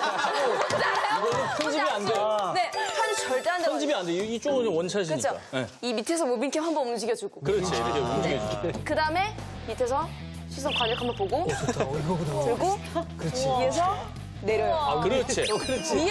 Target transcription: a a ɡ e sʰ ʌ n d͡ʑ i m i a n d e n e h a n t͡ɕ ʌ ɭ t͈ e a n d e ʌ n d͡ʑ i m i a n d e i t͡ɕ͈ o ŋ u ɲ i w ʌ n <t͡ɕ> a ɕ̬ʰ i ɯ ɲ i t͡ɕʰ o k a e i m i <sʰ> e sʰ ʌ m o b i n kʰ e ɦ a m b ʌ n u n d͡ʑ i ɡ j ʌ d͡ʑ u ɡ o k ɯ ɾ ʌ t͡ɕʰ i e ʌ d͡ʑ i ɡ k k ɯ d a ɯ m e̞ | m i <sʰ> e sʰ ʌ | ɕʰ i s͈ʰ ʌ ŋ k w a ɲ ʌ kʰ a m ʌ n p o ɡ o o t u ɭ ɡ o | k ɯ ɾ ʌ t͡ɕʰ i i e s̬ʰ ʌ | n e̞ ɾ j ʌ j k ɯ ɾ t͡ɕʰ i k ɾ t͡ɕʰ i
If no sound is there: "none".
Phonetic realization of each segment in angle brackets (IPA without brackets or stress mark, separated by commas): t͡ɕʰ, tʰ, tʰ